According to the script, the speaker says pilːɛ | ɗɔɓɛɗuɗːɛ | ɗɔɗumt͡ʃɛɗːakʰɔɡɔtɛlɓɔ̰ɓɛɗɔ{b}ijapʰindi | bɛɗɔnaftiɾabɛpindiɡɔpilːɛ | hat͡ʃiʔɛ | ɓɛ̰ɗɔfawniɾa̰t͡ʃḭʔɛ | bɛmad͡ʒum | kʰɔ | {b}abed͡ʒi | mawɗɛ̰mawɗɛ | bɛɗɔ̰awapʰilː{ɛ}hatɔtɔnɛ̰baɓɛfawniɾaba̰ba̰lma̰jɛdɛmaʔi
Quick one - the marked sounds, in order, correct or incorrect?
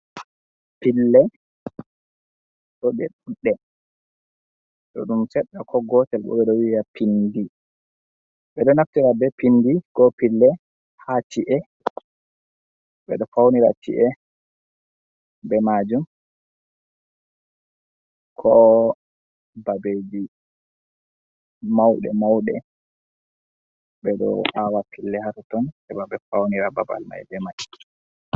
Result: incorrect, correct, correct

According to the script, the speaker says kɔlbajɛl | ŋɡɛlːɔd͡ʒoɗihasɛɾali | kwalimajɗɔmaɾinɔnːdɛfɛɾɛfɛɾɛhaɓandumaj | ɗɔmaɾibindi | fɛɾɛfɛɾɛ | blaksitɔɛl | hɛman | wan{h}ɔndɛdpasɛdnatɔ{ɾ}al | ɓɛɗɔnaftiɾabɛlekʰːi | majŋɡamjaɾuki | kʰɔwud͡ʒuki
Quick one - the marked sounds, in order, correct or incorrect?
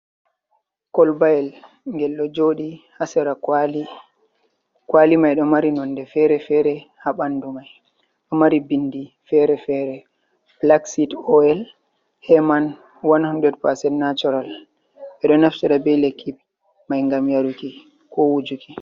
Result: correct, correct

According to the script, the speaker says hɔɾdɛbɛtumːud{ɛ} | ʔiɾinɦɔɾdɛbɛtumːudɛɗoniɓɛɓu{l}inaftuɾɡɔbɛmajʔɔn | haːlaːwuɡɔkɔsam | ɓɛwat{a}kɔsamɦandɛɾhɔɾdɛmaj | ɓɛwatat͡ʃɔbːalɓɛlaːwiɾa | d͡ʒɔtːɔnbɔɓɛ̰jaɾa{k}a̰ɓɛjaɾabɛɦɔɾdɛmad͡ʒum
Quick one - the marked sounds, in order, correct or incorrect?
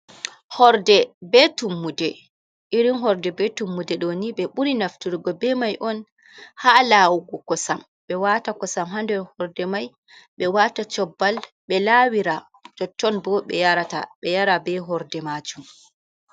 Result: correct, incorrect, correct, incorrect

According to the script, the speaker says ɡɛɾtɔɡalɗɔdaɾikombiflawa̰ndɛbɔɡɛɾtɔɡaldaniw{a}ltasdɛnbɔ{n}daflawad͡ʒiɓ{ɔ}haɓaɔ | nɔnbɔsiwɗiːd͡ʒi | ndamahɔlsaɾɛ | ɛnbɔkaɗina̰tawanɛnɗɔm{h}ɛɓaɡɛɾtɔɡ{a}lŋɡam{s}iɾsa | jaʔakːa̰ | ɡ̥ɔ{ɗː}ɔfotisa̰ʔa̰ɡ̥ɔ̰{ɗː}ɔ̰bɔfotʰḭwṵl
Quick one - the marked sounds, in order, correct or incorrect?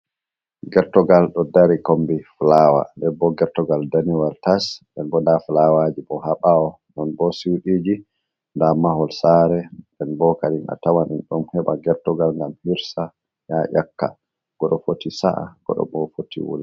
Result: correct, correct, correct, correct, correct, incorrect, incorrect, incorrect

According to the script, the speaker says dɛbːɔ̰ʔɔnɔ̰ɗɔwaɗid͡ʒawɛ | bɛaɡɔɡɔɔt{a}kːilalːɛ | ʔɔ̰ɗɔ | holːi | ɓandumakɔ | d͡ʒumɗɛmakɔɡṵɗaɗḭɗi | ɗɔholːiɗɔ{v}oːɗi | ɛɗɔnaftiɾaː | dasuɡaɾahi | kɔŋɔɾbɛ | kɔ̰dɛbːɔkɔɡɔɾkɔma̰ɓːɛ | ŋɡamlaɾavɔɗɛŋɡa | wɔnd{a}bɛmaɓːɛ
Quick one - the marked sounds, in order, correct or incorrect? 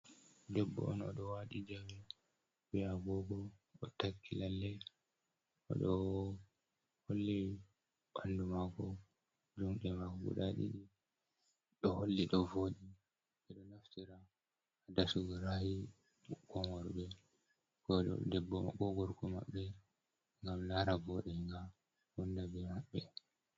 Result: correct, correct, correct

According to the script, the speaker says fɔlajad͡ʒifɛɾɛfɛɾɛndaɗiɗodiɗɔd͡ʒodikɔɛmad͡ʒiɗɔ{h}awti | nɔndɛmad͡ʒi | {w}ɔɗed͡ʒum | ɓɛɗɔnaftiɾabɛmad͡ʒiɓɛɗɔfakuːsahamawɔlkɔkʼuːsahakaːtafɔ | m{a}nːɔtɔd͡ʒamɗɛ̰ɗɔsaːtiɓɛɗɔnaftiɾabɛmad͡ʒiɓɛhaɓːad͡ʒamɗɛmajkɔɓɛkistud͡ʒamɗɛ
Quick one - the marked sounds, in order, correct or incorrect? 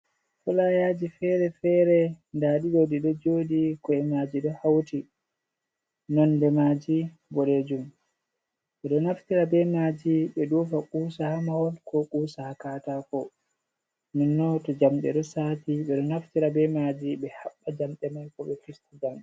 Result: correct, incorrect, incorrect

